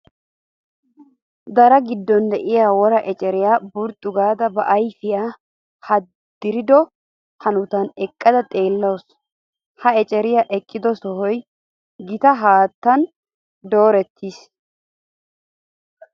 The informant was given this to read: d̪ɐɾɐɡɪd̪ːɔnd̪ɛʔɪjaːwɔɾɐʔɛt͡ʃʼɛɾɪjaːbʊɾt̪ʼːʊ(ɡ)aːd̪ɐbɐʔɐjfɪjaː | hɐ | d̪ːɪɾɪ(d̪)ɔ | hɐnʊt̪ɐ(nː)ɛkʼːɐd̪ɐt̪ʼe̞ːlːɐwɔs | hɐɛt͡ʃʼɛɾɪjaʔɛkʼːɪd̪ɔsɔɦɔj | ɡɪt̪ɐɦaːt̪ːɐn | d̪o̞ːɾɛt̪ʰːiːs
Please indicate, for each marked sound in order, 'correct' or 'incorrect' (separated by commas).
correct, correct, incorrect